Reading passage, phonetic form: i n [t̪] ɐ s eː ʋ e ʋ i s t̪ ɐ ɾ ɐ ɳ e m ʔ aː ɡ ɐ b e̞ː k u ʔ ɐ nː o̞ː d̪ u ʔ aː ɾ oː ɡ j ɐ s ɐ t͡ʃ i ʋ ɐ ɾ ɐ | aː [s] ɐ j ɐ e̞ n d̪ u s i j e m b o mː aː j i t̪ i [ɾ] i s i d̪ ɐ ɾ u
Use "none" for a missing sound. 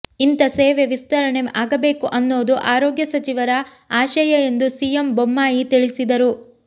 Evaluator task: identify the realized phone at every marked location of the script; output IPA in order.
t̪, ʃ, ɭ

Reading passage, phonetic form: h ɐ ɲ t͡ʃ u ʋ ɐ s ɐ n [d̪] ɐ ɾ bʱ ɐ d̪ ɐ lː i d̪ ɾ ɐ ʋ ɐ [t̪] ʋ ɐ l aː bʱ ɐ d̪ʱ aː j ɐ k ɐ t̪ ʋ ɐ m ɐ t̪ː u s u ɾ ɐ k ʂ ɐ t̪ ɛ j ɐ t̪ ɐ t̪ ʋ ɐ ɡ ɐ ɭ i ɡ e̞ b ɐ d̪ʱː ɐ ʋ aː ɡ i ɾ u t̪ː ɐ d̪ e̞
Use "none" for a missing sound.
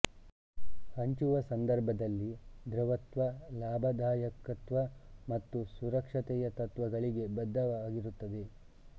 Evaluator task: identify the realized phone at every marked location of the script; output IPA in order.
d̪, t̪

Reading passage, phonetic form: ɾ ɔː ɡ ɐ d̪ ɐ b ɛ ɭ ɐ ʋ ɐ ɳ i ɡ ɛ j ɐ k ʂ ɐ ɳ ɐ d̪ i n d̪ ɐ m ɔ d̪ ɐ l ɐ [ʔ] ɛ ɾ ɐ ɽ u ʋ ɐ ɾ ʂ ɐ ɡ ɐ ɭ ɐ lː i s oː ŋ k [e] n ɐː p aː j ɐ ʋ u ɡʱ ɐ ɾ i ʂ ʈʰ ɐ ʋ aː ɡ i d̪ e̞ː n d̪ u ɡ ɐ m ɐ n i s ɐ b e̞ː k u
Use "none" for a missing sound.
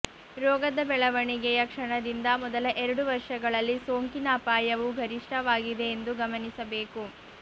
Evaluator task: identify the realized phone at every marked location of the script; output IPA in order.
ʔ, i

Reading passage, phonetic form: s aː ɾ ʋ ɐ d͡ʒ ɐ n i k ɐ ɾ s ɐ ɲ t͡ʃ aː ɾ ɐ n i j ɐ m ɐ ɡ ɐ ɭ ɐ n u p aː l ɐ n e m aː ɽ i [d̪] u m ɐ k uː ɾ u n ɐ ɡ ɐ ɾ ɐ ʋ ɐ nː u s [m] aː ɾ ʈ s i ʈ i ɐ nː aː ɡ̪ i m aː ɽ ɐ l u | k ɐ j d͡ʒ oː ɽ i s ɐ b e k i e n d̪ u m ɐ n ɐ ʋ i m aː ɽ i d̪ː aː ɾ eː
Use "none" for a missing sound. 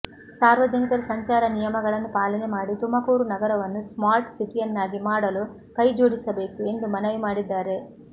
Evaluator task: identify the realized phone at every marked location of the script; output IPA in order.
t̪, m

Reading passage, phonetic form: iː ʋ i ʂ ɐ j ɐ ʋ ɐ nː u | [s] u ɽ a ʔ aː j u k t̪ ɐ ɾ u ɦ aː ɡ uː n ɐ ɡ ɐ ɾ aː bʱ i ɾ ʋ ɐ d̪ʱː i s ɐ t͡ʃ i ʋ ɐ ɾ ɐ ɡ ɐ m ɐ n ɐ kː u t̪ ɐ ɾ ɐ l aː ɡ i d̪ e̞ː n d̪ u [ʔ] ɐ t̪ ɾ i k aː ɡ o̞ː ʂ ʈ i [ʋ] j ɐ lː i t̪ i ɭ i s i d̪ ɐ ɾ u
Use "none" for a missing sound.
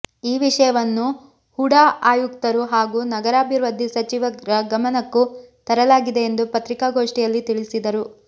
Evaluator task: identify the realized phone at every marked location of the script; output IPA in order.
h, p, none

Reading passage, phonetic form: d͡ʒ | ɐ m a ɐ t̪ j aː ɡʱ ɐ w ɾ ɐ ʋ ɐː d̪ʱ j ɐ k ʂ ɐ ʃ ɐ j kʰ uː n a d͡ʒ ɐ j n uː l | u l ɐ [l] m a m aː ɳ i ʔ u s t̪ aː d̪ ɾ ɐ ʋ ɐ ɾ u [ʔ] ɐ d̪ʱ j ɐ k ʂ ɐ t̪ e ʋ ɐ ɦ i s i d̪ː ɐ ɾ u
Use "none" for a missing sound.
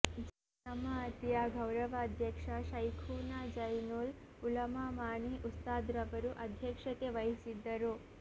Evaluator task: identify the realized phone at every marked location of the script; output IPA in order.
none, ʔ

